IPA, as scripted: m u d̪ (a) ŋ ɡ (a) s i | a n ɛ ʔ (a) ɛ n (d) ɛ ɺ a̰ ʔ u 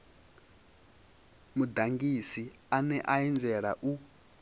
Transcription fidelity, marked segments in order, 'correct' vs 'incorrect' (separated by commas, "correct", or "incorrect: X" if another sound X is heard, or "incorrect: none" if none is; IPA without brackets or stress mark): correct, incorrect: i, correct, incorrect: d͡z